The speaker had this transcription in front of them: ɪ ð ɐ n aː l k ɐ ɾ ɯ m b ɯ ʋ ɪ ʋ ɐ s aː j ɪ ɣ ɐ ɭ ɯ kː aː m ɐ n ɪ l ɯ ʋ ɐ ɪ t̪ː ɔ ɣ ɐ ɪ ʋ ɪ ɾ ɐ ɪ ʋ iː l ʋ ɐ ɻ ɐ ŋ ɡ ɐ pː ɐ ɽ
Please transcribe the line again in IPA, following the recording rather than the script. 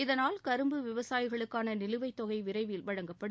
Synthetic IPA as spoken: ɪ ð ɐ n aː l k ɐ ɾ ɯ m b ɯ ʋ ɪ ʋ ɐ s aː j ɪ ɣ ɐ ɭ ɯ kː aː n ɐ n ɪ l ɯ ʋ ɐ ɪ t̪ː ɔ ɣ ɐ ɪ ʋ ɪ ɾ ɐ ɪ ʋ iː l ʋ ɐ ɻ ɐ ŋ ɡ ɐ pː ɐ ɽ

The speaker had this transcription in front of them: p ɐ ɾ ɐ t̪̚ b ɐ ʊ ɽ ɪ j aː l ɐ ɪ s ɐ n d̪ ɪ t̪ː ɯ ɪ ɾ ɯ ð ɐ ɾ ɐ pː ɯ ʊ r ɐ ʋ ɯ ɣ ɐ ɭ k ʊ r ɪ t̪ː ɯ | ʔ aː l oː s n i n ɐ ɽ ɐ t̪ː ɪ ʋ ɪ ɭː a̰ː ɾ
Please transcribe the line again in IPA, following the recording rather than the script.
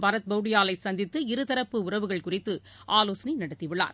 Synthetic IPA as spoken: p ɐ ɾ ɐ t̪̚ b ɐ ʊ ɽ ɪ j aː l ɐ ɪ s ɐ n d̪ ɪ t̪ː ɯ ɪ ɾ ɯ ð ɐ ɾ ɐ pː ɯ ʊ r ɐ ʋ ɯ ɣ ɐ ɭ k ʊ r ɪ t̪ː ɯ | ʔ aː l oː s n i n ɐ ɽ ɐ t̪ː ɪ ʋ ɪ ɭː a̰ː ɾ

